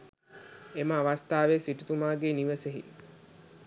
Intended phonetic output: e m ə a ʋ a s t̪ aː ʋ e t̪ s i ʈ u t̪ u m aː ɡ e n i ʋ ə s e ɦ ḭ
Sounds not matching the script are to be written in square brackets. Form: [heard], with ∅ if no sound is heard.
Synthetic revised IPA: e m ə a ʋ a s t̪ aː ʋ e [∅] s i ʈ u t̪ u m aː ɡ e n i ʋ ə s e ɦ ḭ